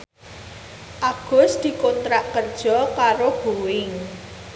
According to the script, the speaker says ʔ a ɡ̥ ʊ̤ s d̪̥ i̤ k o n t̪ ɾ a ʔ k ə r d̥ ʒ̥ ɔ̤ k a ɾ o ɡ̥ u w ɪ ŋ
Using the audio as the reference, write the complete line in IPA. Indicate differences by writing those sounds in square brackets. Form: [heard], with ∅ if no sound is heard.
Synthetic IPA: ʔ a ɡ̥ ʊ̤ s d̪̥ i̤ k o n t̪ ɾ a ʔ k ə r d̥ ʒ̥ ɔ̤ k a ɾ o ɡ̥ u w ɪ ŋ